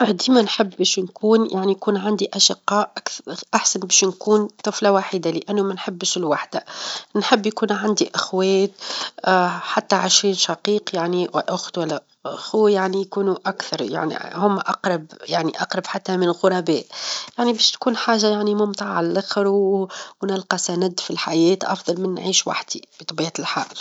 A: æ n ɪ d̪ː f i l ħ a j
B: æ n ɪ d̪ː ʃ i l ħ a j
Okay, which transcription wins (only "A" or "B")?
A